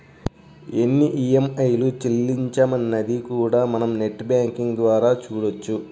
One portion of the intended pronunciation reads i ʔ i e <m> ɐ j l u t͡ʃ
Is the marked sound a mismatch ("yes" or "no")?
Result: no